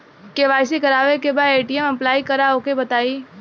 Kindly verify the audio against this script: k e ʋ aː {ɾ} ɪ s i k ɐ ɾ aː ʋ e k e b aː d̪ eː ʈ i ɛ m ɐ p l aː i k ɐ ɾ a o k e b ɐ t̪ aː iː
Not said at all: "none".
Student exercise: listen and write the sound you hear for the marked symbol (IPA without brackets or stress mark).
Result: none